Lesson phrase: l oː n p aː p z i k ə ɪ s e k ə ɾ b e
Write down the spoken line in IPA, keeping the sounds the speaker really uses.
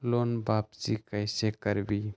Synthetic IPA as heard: l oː n b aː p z i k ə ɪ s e k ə ɾ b i